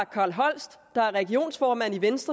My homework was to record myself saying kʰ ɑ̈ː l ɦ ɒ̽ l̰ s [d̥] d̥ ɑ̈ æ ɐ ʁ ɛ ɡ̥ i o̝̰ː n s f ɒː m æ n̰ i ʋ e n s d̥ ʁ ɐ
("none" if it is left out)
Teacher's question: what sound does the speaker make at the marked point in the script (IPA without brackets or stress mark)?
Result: d̥